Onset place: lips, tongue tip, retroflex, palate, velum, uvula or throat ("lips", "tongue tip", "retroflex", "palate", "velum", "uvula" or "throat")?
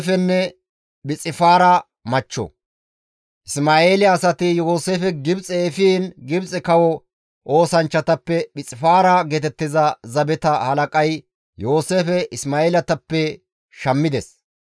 lips